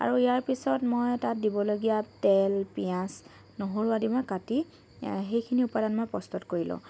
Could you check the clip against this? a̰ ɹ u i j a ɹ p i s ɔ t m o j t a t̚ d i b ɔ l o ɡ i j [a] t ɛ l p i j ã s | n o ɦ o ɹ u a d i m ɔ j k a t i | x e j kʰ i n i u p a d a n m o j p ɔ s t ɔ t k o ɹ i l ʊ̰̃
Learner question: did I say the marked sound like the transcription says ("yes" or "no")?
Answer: yes